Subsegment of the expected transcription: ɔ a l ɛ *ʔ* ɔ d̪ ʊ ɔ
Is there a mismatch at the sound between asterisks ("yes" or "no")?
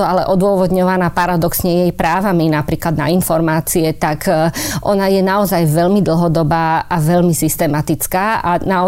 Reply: no